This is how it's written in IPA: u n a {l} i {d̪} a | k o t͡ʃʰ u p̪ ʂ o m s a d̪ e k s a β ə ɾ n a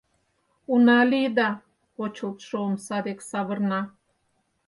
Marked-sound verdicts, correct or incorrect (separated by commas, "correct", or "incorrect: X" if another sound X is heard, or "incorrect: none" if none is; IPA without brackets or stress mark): correct, correct